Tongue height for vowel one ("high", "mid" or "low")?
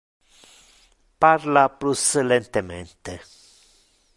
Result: low